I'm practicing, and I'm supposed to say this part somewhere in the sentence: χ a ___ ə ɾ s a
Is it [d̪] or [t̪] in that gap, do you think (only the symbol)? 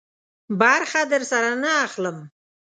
d̪